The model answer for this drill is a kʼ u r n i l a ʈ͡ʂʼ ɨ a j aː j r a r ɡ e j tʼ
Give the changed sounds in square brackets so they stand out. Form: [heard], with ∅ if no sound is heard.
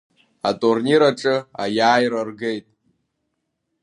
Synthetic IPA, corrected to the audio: a [tʼ] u r n i [ɾ] a ʈ͡ʂʼ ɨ a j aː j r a r ɡ e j tʼ

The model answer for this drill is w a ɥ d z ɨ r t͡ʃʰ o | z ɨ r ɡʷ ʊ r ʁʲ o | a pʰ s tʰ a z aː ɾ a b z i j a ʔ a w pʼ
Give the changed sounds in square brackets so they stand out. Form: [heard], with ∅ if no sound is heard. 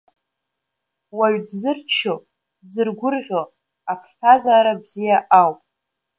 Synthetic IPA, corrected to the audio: w a ɥ d z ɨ r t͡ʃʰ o | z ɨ r ɡʷ ʊ r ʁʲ o | a pʰ s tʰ a z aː ɾ a b z i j a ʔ a w pʼ

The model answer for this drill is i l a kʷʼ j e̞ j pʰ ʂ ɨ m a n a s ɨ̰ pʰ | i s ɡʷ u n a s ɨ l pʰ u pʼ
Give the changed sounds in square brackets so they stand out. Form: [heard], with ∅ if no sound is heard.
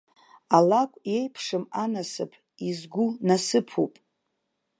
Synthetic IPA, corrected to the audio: [a] l a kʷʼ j e̞ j pʰ ʂ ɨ m a n a s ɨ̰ pʰ | i [z] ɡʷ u n a s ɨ [∅] pʰ u pʼ

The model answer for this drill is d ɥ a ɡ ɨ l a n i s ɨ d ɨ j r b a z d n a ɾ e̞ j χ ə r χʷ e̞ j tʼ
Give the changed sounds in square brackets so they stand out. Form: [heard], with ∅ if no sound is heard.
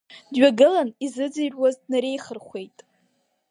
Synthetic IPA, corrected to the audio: d ɥ a ɡ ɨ l a n i [z] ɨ [d͡z] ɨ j r [w] a z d n a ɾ e̞ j χ ə r χʷ e̞ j tʼ

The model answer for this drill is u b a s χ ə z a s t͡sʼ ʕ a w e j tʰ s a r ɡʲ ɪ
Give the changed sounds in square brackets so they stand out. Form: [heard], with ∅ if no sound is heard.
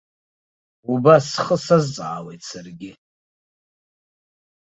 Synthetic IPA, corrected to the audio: u b a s χ ə [s] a [z] t͡sʼ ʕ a w e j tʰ s a r ɡʲ ɪ

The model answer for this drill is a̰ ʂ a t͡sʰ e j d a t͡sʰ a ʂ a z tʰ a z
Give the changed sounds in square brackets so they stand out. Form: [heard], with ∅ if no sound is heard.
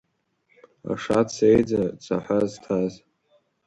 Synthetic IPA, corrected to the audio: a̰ ʂ a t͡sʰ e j [d͡z] a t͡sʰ a [ħ] a z tʰ a z

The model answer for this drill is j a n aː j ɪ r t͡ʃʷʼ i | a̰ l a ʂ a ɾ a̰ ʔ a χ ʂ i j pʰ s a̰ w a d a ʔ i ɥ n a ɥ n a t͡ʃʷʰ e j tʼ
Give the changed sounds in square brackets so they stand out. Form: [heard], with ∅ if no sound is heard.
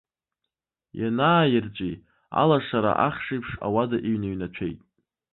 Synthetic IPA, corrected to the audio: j a n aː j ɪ r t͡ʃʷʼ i | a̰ l a ʂ a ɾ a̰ ʔ a χ ʂ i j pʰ [ʂ] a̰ w a d a ʔ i ɥ n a ɥ n a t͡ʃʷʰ e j tʼ

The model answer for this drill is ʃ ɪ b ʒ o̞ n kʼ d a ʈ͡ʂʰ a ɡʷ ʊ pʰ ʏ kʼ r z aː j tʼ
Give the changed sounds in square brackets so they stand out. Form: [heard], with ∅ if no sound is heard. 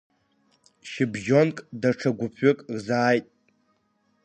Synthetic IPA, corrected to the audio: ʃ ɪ b ʒ o̞ n kʼ d a ʈ͡ʂʰ a ɡʷ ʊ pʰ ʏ kʼ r z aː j tʼ

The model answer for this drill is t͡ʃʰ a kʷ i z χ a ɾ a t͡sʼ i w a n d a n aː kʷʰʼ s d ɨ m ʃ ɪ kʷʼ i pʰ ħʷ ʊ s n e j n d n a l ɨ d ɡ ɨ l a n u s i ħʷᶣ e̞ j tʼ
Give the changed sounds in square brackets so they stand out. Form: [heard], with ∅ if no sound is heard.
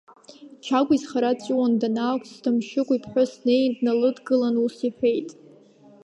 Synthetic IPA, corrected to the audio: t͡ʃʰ a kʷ i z χ a ɾ a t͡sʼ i w a n d a n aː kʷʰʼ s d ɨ m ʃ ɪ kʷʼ i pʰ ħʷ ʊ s n e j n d n a l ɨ d ɡ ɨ l a n u s i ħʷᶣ e̞ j tʼ

